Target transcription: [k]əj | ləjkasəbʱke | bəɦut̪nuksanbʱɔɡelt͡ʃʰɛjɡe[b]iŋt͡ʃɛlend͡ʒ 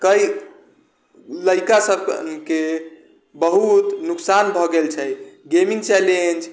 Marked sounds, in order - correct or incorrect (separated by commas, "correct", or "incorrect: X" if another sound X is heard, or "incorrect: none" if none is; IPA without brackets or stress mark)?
correct, incorrect: m